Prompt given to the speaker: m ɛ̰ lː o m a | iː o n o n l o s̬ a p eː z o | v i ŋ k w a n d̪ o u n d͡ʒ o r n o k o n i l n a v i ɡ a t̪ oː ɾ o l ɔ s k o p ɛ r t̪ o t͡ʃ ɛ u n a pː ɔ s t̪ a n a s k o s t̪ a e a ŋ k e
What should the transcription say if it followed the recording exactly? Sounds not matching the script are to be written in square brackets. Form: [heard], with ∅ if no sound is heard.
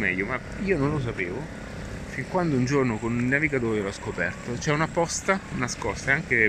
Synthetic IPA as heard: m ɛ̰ [ʎː] o m a | iː o n o n l o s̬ a p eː [v] o | [f] i ŋ k w a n d̪ o u n d͡ʒ o r n o k o n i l n a v i ɡ a t̪ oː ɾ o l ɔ s k o p ɛ r t̪ o t͡ʃ ɛ u n a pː ɔ s t̪ a n a s k [ɔ] s t̪ a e a ŋ k e